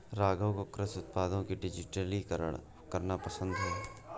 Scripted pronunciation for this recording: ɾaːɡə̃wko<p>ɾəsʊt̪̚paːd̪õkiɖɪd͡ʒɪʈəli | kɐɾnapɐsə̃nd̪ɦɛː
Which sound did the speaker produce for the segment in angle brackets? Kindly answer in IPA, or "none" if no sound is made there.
k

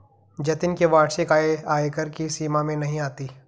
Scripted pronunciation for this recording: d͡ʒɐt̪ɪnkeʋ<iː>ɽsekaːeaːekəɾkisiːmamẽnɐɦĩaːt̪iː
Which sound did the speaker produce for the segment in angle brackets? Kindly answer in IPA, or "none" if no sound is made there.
aː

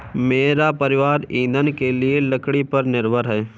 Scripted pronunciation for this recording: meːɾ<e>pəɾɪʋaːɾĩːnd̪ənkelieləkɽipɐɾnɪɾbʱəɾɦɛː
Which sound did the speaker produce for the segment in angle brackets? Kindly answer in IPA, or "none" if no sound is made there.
a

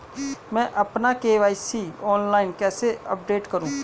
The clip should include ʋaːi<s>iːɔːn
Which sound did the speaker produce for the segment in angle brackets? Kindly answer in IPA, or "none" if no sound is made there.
s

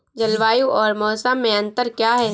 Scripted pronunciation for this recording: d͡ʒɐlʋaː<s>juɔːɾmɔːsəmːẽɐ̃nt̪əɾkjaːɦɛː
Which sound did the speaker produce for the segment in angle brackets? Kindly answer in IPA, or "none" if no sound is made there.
none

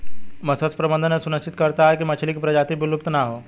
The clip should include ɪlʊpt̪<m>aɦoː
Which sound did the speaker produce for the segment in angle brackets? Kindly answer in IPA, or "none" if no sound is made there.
n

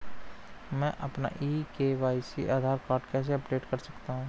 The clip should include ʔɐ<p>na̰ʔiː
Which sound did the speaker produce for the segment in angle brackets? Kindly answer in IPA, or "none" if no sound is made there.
p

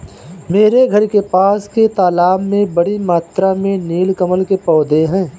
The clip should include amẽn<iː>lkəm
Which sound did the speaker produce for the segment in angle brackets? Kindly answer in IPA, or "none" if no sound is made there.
iː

